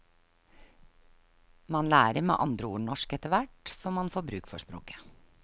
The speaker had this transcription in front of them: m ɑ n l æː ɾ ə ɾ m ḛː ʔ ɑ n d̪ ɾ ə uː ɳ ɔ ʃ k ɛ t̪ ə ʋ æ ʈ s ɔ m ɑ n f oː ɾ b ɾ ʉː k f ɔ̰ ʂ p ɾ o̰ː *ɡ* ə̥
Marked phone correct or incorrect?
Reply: incorrect